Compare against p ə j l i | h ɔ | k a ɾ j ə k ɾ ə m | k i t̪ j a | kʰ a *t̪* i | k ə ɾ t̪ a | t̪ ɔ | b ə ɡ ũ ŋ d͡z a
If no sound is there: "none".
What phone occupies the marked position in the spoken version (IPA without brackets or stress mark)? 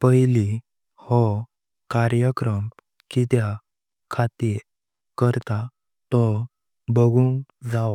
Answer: t̪